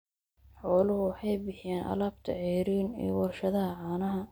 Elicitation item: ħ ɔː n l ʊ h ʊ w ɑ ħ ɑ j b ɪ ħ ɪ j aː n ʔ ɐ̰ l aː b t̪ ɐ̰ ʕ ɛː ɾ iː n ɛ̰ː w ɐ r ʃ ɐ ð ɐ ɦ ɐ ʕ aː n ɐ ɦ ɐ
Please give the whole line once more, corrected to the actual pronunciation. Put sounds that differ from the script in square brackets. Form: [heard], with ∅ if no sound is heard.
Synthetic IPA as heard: ħ ɔː [∅] l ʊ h ʊ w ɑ ħ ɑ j b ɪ ħ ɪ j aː n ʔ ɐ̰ l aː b [t̪ʰ] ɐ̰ ʕ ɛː ɾ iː n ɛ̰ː w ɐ r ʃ ɐ ð ɐ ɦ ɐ ʕ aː n ɐ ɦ ɐ